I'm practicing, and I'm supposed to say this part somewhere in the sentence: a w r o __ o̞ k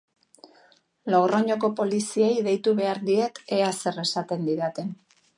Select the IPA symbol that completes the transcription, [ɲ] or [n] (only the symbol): ɲ